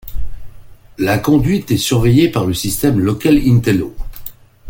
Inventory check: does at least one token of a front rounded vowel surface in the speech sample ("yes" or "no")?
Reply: yes